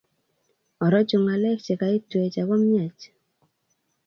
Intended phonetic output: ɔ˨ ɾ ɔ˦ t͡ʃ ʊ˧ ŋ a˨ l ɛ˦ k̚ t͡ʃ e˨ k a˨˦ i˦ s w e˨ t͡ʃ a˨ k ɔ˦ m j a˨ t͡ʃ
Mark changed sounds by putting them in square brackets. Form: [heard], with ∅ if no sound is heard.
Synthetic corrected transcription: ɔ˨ ɾ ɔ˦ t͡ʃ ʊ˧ ŋ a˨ l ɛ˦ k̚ t͡ʃ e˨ k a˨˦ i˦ [t] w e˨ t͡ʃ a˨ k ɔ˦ m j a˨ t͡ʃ